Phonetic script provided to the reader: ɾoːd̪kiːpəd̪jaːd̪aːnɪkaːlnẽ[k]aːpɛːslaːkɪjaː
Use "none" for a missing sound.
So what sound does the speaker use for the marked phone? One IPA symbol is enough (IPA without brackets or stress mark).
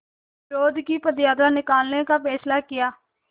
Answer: k